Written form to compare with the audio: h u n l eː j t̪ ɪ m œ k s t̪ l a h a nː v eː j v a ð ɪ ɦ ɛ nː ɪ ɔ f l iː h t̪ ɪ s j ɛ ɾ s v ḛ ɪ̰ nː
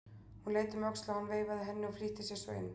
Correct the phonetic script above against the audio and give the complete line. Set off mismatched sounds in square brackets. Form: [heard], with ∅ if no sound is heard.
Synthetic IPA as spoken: h u n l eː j t̪ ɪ m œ k s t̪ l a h a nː v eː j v a ð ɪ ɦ ɛ nː ɪ ɔ f l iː h t̪ ɪ s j ɛ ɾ s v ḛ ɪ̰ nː